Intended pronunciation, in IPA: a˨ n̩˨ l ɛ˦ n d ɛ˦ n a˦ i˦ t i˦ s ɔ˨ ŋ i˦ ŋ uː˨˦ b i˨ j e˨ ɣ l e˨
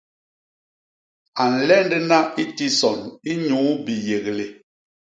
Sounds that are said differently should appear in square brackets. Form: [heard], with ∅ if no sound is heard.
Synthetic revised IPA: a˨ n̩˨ l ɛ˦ n d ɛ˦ n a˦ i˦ t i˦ s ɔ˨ [n] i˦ [ɲ] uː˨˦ b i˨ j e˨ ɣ l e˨